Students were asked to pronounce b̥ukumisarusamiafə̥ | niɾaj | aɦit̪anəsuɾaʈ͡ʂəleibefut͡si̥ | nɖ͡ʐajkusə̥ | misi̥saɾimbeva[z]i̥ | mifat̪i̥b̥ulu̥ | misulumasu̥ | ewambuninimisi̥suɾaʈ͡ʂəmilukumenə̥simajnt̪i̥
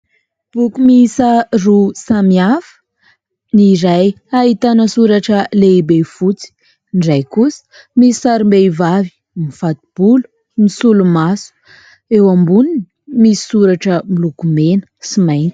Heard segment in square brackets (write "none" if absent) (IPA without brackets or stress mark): v